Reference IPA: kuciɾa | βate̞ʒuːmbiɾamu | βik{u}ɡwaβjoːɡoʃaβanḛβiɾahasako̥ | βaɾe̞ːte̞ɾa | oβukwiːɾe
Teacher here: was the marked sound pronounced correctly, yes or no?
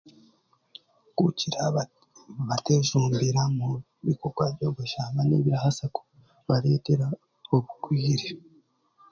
no